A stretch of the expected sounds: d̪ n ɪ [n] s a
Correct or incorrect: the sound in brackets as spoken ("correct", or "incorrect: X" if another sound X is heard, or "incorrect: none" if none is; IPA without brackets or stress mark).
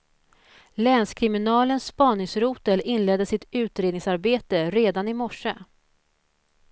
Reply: incorrect: ŋ